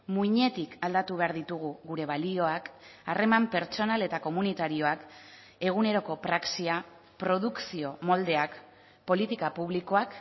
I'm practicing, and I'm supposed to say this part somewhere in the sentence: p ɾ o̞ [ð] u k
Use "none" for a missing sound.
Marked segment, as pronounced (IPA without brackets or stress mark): ð